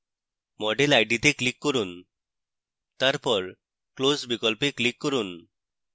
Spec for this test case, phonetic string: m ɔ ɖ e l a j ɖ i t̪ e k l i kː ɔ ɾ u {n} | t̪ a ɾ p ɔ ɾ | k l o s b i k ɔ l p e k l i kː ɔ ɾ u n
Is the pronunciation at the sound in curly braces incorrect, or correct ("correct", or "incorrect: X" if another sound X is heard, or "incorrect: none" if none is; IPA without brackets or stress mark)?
correct